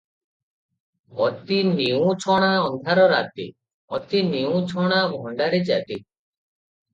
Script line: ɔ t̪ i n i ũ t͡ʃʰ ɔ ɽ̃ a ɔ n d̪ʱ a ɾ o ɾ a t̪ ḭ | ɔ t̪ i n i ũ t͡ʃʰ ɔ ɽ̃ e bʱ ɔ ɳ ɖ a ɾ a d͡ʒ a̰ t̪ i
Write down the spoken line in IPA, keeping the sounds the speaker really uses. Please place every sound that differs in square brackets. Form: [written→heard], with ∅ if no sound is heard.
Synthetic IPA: ɔ t̪ i n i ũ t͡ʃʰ ɔ ɽ̃ a ɔ n d̪ʱ a ɾ [o→ɔ] ɾ a t̪ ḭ | ɔ t̪ i n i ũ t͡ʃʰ ɔ ɽ̃ [e→a] bʱ ɔ ɳ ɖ a ɾ [a→e] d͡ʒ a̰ t̪ i